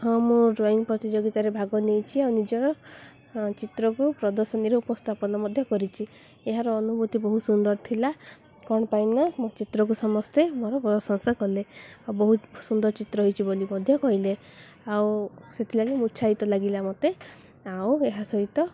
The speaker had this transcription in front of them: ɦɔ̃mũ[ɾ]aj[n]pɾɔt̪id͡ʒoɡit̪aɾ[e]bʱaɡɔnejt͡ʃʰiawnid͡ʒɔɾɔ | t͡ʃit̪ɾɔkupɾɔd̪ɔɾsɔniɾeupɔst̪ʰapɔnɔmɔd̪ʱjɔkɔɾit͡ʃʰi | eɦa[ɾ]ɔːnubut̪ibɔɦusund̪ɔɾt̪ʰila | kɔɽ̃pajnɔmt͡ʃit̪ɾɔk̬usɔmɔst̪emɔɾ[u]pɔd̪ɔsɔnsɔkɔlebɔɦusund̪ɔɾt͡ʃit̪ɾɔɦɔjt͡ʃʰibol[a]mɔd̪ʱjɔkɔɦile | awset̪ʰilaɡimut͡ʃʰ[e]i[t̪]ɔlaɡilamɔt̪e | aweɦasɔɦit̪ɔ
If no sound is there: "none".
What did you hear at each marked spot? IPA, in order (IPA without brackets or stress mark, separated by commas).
ɾ, n, e, ɾ, ɔ, i, a, t̪